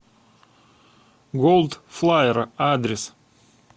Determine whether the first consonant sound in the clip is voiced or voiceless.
voiced